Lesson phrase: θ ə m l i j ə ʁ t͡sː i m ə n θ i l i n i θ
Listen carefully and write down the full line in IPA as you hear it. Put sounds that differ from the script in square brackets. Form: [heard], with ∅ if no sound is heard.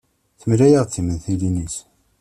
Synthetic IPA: θ ə m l [æ] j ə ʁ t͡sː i m ə n θ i l i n i [s]

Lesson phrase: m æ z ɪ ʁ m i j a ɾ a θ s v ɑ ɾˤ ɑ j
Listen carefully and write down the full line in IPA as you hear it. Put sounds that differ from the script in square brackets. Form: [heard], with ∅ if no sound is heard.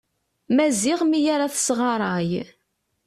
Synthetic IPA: m æ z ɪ ʁ m i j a ɾ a θ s [ʁ] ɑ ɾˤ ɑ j

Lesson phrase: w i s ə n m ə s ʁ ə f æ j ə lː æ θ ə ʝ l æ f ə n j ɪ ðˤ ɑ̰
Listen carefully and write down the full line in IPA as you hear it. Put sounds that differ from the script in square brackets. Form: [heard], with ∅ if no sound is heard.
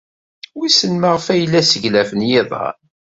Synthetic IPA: w i s ə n m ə [∅] ʁ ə f æ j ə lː æ [s] ə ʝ l æ f ə n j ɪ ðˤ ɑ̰

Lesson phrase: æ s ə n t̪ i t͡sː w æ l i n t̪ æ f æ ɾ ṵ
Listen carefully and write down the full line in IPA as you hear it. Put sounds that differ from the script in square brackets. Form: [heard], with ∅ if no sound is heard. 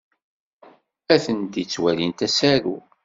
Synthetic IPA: æ [θ] ə n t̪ i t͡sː w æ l i n t̪ æ [s] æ ɾ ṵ

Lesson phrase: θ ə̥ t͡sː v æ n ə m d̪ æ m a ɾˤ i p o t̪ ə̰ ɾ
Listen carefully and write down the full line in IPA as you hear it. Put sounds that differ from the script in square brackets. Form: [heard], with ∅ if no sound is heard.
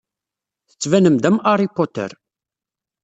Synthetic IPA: θ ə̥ t͡sː v æ n ə m d̪ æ m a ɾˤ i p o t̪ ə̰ ɾ

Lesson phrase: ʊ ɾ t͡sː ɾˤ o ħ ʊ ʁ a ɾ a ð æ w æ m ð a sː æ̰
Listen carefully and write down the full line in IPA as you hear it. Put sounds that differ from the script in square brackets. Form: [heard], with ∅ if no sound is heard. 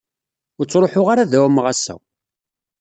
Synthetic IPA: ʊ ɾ t͡sː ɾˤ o ħ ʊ ʁ a ɾ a ð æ w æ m [ʁ] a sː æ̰

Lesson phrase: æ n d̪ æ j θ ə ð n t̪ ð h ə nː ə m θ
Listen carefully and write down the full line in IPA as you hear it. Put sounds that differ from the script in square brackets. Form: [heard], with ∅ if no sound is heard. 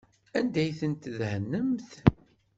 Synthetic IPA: æ n d̪ æ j θ ə [∅] n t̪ ð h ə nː ə m θ

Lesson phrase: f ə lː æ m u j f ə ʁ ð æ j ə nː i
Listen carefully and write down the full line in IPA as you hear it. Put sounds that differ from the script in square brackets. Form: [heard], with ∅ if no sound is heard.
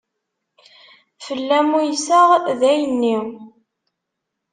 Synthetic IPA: f ə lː æ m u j [s] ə ʁ ð æ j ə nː i

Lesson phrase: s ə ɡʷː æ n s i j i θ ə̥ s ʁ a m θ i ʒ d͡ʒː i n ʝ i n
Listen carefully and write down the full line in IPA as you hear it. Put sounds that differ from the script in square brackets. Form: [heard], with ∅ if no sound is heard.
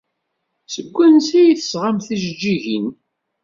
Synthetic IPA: s ə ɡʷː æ n s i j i θ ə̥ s ʁ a m θ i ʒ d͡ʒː i [∅] ʝ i n

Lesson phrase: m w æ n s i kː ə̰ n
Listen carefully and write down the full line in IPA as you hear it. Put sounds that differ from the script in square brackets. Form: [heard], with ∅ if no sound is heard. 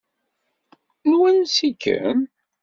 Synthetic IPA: [n] w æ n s i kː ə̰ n

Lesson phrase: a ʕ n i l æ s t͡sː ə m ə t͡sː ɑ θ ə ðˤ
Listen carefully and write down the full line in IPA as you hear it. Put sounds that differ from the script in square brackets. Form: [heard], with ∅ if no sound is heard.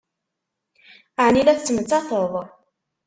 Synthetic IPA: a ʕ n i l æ [θ] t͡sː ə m ə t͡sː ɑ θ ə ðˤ

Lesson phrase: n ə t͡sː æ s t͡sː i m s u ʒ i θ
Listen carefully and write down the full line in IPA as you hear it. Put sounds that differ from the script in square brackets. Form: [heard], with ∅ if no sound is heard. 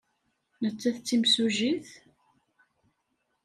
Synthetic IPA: n ə t͡sː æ [θ] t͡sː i m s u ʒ i θ

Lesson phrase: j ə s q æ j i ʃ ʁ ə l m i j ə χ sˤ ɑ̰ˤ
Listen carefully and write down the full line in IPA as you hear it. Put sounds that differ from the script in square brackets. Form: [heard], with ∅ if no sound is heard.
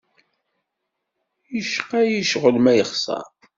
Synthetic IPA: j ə [ʃ] q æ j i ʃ ʁ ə l m [æ] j ə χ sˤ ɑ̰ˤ

